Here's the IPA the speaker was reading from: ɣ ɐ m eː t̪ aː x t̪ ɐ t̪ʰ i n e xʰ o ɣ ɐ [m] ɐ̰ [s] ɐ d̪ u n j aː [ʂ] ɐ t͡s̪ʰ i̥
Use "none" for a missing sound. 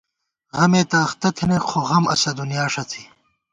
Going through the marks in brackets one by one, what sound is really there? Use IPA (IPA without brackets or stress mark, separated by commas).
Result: m, s, ʂ